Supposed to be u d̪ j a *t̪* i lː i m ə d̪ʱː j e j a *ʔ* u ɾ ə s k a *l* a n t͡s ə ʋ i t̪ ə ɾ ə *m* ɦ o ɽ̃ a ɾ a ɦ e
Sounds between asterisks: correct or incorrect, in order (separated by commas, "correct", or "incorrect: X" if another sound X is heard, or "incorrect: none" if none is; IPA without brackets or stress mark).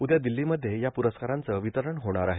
incorrect: d̪, incorrect: p, incorrect: ɾ, incorrect: ɳ